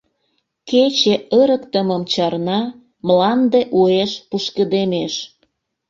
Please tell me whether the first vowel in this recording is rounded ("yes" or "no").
no